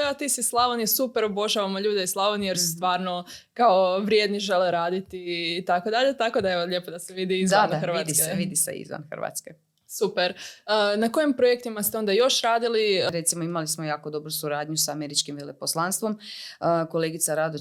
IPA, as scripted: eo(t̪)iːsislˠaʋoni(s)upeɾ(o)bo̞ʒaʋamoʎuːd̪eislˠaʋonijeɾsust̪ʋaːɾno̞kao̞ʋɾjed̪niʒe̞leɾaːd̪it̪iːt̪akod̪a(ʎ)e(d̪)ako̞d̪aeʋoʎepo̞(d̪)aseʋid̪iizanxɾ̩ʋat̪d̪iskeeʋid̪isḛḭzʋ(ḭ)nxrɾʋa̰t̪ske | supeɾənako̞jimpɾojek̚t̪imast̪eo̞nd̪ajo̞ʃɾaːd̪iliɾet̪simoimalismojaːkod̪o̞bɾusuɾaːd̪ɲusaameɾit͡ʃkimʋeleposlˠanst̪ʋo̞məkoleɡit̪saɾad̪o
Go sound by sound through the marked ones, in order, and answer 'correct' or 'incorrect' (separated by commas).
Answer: correct, correct, correct, correct, incorrect, correct, incorrect